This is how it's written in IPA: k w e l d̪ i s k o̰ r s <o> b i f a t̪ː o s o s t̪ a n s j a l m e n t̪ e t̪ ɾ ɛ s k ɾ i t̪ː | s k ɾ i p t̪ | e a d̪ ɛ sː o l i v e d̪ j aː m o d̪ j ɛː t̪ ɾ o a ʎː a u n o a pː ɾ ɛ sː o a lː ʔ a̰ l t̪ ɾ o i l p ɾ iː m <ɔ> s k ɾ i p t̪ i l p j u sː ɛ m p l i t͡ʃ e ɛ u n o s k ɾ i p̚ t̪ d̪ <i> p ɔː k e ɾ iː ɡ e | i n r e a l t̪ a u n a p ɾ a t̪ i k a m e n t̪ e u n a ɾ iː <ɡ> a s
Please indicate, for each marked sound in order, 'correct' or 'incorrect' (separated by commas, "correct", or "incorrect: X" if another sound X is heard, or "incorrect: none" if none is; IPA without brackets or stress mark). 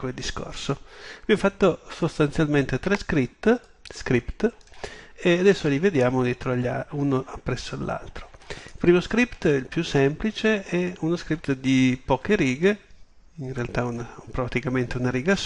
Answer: correct, incorrect: o, correct, correct